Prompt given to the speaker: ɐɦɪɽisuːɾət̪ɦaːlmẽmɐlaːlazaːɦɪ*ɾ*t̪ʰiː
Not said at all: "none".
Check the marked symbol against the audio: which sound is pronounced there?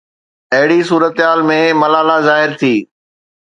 ɾ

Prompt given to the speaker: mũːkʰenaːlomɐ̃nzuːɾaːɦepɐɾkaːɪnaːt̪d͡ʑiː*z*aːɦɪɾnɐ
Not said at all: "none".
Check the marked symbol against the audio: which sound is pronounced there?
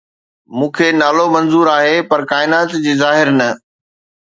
z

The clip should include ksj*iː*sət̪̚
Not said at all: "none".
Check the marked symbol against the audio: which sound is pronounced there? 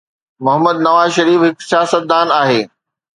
aː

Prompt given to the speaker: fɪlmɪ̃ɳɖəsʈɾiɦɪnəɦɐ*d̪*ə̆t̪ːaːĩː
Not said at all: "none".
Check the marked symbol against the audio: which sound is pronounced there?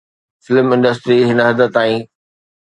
d̪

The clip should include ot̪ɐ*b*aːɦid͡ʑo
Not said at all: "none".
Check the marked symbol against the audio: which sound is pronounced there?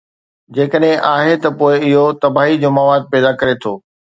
b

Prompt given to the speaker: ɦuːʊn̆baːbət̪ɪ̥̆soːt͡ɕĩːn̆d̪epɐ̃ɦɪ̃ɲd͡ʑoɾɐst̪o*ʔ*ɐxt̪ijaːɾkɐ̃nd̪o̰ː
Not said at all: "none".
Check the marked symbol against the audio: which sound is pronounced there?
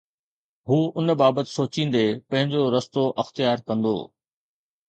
ʔ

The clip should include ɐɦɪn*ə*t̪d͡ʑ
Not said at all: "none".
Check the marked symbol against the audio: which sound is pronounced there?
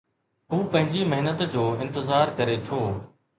ə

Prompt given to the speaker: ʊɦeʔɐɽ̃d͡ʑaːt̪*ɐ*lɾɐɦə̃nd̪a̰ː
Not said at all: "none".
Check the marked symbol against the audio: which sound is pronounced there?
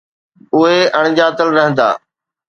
ə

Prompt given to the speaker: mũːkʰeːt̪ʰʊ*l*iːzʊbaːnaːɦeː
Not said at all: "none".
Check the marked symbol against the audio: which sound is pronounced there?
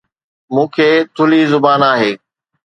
l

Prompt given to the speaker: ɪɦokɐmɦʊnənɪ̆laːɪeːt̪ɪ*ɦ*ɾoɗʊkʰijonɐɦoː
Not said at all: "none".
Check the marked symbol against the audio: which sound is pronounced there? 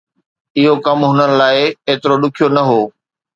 none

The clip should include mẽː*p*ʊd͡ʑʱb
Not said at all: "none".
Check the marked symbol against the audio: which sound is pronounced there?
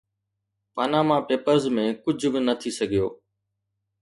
k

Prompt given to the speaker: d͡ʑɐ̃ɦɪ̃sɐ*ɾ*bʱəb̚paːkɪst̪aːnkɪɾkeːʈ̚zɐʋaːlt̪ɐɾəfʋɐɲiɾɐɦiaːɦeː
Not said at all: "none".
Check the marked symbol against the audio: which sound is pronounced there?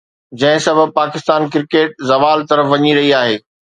none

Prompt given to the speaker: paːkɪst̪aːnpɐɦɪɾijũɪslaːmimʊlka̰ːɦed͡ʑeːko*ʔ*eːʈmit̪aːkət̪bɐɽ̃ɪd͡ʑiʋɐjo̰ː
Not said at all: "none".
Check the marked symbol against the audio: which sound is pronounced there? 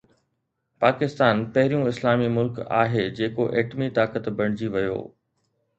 ʔ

